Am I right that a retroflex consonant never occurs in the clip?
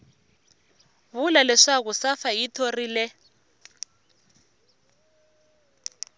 no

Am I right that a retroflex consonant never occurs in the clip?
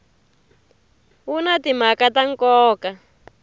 yes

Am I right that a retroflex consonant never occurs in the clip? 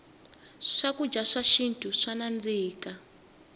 no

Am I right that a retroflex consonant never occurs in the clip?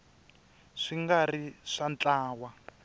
no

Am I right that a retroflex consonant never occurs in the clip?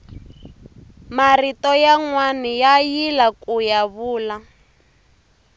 yes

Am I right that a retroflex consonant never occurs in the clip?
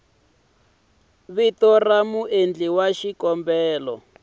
yes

